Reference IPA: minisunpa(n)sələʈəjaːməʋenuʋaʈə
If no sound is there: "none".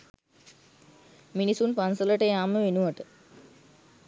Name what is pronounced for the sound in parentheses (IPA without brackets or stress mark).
n